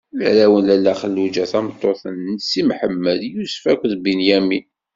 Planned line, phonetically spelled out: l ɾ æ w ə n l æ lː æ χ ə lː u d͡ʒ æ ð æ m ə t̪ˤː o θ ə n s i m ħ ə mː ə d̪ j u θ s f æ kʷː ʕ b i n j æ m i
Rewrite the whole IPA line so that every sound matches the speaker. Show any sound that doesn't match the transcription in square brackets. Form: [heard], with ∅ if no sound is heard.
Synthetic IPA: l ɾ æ w ə n l æ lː æ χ ə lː u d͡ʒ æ [θ] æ m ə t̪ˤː o θ ə n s i m ħ ə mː ə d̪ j u [∅] s f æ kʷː [ð] b i n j æ m i